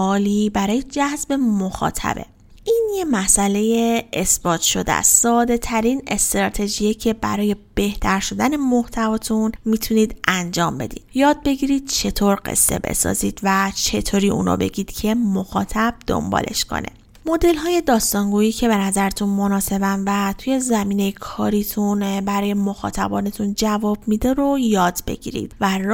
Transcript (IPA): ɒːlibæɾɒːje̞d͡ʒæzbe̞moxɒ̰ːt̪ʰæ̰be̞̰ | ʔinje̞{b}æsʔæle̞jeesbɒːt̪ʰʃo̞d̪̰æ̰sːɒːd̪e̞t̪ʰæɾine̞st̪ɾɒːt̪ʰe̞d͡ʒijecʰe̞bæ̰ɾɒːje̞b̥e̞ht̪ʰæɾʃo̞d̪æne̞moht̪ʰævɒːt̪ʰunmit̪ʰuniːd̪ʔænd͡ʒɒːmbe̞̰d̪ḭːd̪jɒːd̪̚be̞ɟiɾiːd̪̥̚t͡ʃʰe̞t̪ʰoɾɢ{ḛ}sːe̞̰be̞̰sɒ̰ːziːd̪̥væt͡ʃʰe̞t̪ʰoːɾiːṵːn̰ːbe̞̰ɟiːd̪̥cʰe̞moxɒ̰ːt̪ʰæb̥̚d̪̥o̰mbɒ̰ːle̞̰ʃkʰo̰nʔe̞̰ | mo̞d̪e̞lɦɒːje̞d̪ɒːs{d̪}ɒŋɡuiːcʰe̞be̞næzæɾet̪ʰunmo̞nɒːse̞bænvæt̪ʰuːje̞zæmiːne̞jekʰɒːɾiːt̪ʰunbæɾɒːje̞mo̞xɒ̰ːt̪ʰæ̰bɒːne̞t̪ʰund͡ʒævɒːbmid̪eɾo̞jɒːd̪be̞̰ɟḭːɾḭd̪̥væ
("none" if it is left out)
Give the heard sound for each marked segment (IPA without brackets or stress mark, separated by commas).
m, ḛ, t̪